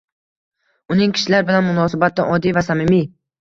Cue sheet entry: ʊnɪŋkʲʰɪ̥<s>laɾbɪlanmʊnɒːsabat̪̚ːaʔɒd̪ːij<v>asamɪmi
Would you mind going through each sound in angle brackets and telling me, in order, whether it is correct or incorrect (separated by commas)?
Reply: incorrect, correct